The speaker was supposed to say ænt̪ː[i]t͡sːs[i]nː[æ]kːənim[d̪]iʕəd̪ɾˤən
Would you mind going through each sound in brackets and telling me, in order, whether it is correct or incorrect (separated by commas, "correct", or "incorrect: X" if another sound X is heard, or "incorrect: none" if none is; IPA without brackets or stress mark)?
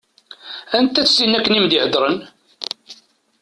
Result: incorrect: æ, correct, correct, correct